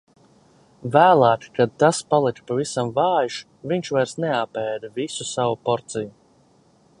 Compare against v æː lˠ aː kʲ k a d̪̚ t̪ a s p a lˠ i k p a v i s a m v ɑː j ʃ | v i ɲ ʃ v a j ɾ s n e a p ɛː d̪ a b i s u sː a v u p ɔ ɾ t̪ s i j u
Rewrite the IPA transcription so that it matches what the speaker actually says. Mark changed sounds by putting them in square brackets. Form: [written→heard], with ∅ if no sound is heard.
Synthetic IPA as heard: v æː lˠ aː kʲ k a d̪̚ t̪ a s p a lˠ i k p a v i s a m v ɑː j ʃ | v i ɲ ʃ v a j ɾ s n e a p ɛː d̪ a [b→v] i s u [sː→s] a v u p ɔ ɾ t̪ s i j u